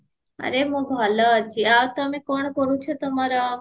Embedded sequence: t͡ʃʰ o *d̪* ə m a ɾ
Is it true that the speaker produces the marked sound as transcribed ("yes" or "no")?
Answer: no